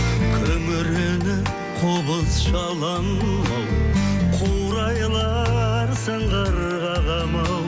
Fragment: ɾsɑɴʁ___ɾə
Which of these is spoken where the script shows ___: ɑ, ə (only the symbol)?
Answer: ɑ